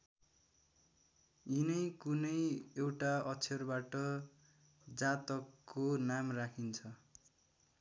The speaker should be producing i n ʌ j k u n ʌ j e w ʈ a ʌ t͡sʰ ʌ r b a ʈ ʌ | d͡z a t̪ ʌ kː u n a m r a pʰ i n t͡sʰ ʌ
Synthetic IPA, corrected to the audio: i n ʌ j k u n ʌ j e w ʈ a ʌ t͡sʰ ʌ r b a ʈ ʌ | d͡z a t̪ ʌ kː o n a m r a kʰ i n t͡sʰ ʌ